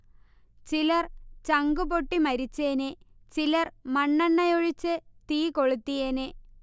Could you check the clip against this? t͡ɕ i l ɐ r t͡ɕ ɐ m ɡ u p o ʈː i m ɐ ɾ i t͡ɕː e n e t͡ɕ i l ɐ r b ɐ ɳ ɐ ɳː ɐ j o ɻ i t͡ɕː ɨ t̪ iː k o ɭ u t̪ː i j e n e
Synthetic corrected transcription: t͡ɕ i l ɐ r t͡ɕ ɐ ŋ ɡ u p o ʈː i m ɐ ɾ i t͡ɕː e n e t͡ɕ i l ɐ r m ɐ ɳː ɐ ɳː ɐ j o ɻ i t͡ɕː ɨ t̪ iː k o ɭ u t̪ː i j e n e